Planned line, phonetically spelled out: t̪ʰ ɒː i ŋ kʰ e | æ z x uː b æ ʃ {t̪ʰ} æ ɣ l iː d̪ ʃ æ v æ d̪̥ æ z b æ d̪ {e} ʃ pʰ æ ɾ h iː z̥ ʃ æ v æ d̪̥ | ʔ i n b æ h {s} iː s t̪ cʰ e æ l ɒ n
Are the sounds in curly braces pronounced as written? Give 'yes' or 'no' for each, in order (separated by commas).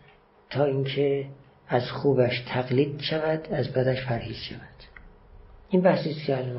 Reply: yes, no, yes